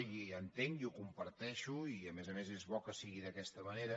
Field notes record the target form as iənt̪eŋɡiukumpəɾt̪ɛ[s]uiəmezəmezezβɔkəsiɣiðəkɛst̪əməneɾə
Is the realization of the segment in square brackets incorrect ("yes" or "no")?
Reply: yes